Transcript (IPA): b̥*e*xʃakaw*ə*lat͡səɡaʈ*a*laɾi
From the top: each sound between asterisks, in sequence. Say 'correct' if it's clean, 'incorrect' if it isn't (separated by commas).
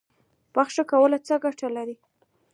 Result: incorrect, correct, correct